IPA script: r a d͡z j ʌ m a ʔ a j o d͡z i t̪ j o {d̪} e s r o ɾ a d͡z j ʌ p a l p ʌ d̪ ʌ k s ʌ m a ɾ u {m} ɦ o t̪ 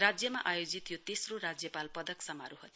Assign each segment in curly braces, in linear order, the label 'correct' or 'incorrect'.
incorrect: t̪, incorrect: none

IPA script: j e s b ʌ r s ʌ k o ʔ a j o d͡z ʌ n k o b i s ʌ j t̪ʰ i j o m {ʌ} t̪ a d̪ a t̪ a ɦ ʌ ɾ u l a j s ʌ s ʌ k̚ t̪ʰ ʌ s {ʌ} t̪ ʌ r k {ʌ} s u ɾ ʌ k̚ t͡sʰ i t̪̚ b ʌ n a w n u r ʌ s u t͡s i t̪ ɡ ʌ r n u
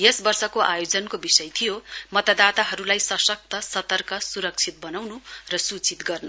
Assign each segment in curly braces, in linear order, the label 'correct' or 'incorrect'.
correct, correct, correct

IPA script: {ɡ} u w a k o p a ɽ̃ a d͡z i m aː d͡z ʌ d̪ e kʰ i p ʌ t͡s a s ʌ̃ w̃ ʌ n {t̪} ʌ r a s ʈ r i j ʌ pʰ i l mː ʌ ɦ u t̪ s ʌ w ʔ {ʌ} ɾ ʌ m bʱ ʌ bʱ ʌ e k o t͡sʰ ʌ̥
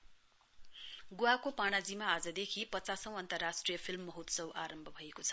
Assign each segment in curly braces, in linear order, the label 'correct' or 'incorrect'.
correct, correct, incorrect: a

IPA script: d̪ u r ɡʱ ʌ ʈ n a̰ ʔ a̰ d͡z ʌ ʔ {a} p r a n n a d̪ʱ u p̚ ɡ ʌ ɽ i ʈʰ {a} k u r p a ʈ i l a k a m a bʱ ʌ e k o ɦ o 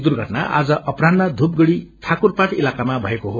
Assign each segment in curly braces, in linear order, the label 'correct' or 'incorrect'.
incorrect: ʌ, correct

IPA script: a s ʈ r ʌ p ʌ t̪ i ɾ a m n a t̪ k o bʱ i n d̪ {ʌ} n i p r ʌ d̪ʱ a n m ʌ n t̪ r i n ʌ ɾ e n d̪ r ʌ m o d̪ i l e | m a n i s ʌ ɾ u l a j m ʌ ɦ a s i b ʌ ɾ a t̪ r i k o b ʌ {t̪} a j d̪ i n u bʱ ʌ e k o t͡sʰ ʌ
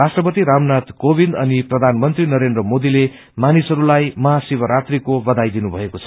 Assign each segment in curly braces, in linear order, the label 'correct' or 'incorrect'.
correct, incorrect: d̪

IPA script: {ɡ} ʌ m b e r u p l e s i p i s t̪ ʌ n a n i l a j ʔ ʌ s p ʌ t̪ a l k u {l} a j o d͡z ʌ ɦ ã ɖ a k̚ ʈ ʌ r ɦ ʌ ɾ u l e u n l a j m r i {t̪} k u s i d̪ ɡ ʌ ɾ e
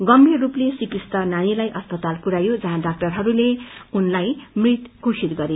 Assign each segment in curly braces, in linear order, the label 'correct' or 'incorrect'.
correct, incorrect: ɾ, correct

